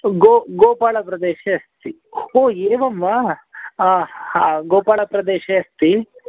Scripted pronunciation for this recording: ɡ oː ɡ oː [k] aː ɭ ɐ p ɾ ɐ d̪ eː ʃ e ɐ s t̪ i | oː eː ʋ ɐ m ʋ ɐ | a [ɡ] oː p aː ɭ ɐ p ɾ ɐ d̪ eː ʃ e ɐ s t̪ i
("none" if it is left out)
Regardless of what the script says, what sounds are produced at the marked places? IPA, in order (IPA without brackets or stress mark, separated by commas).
p, ɡ